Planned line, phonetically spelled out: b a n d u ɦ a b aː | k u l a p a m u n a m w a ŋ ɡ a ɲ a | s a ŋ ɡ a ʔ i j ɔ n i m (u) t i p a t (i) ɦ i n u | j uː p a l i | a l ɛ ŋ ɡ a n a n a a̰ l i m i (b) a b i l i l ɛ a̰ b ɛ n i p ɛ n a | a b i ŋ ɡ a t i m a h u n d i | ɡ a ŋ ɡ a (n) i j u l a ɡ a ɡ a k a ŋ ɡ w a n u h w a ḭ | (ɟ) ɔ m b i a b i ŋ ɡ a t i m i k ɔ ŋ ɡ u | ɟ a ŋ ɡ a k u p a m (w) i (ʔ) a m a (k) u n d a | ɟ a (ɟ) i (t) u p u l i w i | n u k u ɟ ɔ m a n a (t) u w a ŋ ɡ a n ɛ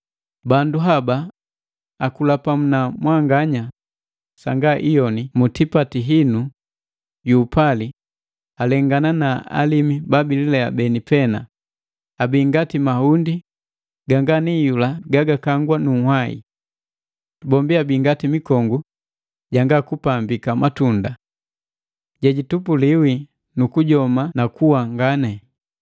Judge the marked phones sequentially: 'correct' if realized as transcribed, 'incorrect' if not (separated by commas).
correct, correct, correct, correct, incorrect, incorrect, incorrect, incorrect, correct, correct, incorrect